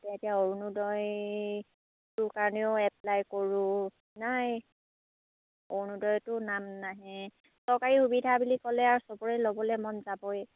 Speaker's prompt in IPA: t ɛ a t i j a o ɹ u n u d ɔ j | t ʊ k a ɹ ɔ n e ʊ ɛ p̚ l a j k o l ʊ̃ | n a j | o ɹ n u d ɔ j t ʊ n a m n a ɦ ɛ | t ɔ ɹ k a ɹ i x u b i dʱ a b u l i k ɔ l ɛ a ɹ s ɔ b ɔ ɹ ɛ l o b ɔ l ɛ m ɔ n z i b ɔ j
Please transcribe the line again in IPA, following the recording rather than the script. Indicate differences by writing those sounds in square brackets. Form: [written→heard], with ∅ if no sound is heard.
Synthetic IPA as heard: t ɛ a t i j a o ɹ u n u d ɔ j | t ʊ k a ɹ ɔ n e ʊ ɛ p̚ l a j k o [l→ɹ] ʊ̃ | n a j | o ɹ n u d ɔ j t ʊ n a m n a ɦ ɛ | [t→s] ɔ ɹ k a ɹ i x u b i dʱ a b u l i k ɔ l ɛ a ɹ s ɔ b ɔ ɹ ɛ l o b ɔ l ɛ m ɔ n z [i→a] b ɔ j

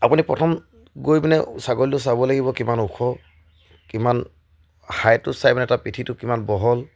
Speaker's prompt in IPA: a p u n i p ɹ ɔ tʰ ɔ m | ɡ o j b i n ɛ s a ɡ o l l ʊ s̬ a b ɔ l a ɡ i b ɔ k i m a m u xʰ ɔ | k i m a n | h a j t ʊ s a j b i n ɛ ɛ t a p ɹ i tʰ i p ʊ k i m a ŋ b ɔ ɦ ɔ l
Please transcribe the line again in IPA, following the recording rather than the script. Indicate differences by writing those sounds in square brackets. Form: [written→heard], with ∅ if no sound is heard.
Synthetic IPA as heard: a p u n i p ɹ ɔ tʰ ɔ m | ɡ o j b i n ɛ s a ɡ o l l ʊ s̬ a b ɔ l a ɡ i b ɔ k i m a [m→n] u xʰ ɔ | k i m a n | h a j t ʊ s a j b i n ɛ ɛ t a p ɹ i tʰ i [p→t] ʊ k i m a [ŋ→n] b ɔ ɦ ɔ l

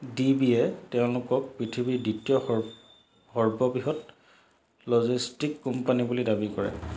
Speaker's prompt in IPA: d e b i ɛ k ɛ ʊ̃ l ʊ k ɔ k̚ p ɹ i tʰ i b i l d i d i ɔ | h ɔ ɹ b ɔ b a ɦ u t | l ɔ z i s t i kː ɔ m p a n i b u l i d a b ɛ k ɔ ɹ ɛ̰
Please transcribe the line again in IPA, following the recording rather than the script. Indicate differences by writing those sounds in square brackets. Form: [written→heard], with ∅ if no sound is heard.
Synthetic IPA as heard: d [e→i] b i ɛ [k→t] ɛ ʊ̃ l ʊ k ɔ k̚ p ɹ i tʰ i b i [l→∅] d i [d→t] i ɔ | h ɔ ɹ b ɔ b [a→i] ɦ [u→ɔ] t | l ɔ z i s t i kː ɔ m p a n i b u l i d a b [ɛ→i] k ɔ ɹ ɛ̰

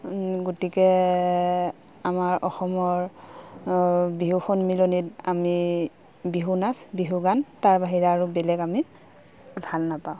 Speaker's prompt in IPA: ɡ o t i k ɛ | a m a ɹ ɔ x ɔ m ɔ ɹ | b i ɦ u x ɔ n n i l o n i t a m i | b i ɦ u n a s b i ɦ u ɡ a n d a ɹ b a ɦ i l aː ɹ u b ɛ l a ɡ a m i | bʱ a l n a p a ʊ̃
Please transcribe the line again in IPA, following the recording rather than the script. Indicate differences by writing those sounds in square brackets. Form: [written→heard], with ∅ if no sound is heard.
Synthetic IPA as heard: ɡ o t i k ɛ | a m a ɹ ɔ x ɔ m ɔ ɹ | b i ɦ u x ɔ n [n→m] i l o n i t a m i | b i ɦ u n a s b i ɦ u ɡ a n [d→t] a ɹ b a ɦ i [l→ɹ] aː ɹ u b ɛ l [a→ɛ] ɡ a m i | bʱ a l n a p a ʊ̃

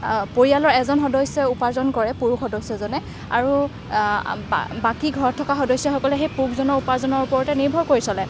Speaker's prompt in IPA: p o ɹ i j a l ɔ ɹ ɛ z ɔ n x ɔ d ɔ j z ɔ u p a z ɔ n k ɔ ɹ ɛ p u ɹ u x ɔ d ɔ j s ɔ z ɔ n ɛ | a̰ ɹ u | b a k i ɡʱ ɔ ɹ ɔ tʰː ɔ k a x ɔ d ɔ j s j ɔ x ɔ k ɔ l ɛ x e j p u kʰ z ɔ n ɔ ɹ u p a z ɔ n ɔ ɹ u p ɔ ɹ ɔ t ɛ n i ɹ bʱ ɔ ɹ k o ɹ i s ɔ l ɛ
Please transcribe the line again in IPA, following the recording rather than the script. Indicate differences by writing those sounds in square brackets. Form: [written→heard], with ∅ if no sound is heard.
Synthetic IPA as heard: p o ɹ i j a l ɔ ɹ ɛ z ɔ n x ɔ d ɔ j [z→s] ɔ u p a z ɔ n k ɔ ɹ ɛ p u ɹ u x ɔ d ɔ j s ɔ z ɔ n ɛ | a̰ ɹ u | b a k i ɡʱ ɔ ɹ ɔ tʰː ɔ k a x ɔ d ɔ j s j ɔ x ɔ k ɔ l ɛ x e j p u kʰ z ɔ n ɔ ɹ u p a z ɔ n ɔ ɹ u p ɔ ɹ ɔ t ɛ n i ɹ bʱ ɔ ɹ k o ɹ i s ɔ l ɛ

